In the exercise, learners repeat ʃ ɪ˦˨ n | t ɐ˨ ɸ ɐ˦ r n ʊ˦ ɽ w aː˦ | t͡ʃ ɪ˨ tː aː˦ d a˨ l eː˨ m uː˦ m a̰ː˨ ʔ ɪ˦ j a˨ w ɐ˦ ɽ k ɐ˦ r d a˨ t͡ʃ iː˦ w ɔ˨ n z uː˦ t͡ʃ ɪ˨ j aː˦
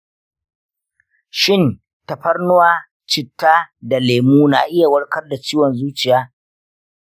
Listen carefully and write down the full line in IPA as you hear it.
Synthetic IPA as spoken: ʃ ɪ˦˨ n | t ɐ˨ ɸ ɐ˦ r n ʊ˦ w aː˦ | t͡ʃ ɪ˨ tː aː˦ d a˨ l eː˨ m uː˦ n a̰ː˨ ʔ ɪ˦ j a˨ w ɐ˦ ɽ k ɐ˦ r d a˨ t͡ʃ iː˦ w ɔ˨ n z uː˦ t͡ʃ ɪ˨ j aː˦